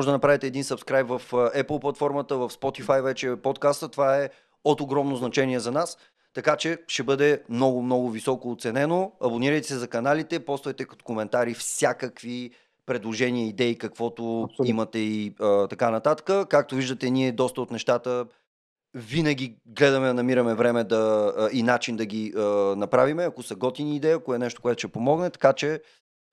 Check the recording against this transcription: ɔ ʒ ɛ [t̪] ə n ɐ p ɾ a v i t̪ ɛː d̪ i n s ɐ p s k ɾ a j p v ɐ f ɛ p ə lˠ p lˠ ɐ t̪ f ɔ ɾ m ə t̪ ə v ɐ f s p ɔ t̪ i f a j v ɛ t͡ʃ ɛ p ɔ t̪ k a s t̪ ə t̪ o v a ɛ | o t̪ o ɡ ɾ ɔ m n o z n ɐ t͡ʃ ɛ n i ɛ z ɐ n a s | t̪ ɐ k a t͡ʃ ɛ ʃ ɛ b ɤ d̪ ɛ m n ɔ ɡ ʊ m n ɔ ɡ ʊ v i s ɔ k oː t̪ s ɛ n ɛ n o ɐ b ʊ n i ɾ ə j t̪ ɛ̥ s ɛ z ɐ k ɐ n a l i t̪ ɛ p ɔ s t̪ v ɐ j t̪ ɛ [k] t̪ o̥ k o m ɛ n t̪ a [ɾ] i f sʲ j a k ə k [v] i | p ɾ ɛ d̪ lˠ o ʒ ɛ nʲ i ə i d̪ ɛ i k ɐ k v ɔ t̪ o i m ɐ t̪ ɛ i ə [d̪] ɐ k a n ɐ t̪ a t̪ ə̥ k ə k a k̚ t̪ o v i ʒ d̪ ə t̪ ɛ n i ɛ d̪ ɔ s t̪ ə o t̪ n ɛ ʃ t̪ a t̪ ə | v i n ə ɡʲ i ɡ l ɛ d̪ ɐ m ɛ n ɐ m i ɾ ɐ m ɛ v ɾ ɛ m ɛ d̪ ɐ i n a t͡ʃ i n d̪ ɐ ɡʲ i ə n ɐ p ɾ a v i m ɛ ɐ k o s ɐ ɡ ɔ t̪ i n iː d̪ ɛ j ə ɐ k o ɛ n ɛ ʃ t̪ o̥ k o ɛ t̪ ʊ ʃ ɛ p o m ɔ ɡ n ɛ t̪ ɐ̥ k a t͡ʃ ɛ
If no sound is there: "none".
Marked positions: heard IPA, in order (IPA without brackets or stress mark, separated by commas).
d̪, k, ɾ, v, t̪